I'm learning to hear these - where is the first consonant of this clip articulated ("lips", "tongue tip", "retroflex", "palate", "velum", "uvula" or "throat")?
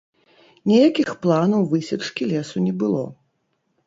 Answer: tongue tip